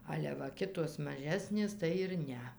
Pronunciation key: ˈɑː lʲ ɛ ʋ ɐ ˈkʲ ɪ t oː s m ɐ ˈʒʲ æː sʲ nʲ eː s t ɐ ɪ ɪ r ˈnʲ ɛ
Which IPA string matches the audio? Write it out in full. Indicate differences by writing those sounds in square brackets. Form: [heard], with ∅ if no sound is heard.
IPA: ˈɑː lʲ ɛ ʋ ɐ ˈkʲ ɪ t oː s m ɐ ˈʒʲ æː sʲ nʲ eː s t ɐ ɪ ɪ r ˈnʲ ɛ